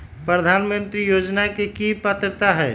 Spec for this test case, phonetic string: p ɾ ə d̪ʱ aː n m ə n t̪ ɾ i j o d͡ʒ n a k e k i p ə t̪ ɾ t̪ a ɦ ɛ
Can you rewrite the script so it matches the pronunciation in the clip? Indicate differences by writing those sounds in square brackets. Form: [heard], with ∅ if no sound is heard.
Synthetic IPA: p ɾ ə d̪ʱ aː n m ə n t̪ ɾ i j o d͡ʒ n a k e k i p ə t̪ ɾ t̪ a ɦ ɛ